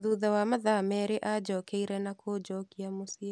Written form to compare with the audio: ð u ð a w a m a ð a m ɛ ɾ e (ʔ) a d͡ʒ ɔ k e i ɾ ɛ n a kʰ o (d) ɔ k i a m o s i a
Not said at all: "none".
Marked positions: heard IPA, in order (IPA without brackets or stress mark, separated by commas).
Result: ʔ, d͡ʒ